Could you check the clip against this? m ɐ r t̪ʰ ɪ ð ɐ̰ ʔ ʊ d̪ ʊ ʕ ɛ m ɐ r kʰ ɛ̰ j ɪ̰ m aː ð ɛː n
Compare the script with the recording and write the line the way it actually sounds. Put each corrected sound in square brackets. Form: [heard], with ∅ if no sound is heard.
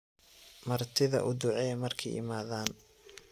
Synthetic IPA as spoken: m ɐ r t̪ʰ ɪ ð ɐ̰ ʔ ʊ d̪ ʊ ʕ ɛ m ɐ r kʰ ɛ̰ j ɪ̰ m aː ð [aː] n